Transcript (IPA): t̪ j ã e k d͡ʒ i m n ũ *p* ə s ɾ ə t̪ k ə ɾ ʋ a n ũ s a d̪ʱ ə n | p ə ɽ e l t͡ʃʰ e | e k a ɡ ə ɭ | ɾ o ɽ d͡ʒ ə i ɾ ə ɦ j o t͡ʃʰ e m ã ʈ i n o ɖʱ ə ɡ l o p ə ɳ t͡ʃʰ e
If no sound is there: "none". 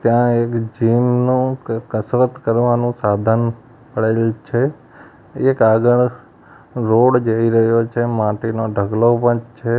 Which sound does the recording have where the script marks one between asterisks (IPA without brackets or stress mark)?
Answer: k